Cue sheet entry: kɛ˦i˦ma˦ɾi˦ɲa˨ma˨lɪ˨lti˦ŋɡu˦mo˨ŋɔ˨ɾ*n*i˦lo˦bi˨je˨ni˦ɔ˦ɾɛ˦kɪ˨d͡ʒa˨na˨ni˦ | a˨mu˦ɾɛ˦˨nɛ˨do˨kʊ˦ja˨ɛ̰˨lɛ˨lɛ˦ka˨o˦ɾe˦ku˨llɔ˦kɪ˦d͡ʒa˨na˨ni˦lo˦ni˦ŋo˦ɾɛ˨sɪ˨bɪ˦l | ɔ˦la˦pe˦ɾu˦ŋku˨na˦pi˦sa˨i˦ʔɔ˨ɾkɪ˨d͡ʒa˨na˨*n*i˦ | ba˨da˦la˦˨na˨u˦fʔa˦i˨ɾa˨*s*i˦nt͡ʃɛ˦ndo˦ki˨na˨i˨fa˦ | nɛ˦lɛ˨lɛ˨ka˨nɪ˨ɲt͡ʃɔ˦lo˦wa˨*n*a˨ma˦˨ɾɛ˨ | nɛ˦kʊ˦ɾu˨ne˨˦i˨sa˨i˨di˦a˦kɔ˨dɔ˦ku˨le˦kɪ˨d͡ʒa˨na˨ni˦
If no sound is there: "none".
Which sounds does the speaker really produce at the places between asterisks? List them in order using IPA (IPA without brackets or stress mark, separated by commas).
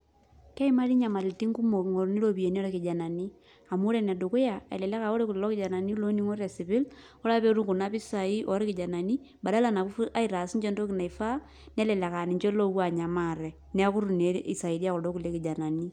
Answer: n, n, s, ɲ